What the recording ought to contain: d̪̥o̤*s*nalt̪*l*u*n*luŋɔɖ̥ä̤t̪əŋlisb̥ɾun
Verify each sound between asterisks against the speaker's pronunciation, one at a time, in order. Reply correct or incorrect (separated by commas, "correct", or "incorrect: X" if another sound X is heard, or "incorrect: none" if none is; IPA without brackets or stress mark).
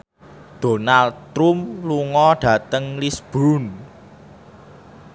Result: incorrect: none, incorrect: ɾ, incorrect: m